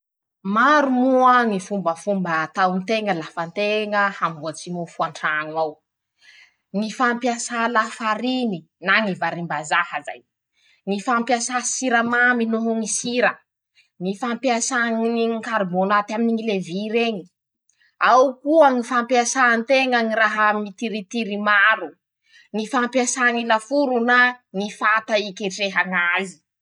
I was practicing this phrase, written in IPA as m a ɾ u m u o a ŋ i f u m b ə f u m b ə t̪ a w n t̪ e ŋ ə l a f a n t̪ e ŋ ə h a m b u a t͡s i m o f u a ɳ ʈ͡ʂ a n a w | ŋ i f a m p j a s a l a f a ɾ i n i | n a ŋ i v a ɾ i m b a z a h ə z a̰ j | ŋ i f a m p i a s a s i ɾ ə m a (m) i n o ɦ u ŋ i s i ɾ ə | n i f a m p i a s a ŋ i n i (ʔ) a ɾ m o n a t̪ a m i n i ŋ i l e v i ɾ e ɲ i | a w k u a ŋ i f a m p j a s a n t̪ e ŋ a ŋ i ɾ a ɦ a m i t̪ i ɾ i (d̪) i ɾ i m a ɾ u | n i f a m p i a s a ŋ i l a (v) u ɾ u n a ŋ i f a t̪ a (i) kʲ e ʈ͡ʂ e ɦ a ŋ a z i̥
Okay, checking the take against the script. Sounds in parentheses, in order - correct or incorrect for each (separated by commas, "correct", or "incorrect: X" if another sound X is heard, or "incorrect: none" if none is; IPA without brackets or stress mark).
correct, incorrect: k, incorrect: t̪, incorrect: f, correct